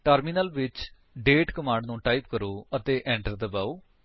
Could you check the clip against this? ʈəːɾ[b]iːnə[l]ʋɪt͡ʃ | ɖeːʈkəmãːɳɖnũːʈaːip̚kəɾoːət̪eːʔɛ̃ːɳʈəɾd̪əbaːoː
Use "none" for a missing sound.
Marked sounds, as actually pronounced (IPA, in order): m, l

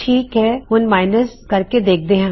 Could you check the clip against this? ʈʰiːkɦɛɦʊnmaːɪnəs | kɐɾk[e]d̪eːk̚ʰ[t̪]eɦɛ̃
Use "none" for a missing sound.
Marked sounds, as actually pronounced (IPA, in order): e, d̪

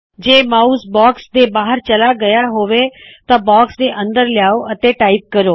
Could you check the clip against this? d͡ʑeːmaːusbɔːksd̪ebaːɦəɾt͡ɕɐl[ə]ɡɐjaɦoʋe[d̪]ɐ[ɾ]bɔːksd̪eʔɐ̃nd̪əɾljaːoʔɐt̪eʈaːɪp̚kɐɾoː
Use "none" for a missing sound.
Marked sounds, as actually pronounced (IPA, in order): a, t̪, none

